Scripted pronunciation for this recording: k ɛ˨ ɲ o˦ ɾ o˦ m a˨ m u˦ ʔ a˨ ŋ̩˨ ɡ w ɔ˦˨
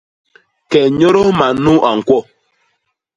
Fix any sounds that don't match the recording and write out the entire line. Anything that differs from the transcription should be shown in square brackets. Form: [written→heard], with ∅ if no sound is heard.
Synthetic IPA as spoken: k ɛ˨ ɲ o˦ ɾ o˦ m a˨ [m→n] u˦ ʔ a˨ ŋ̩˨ [ɡ→k] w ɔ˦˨